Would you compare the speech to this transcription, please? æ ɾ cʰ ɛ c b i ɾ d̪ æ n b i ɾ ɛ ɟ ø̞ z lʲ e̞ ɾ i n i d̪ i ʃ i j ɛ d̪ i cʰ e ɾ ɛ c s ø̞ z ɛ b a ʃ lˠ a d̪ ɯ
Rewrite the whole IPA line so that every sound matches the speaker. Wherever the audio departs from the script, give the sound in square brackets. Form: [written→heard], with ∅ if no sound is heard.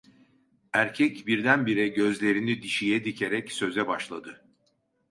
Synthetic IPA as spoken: æ ɾ cʰ ɛ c b i ɾ d̪ æ n b i ɾ ɛ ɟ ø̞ z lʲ e̞ ɾ i n i d̪ i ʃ i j ɛ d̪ i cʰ e ɾ ɛ c s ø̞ z ɛ b a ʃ lˠ a d̪ ɯ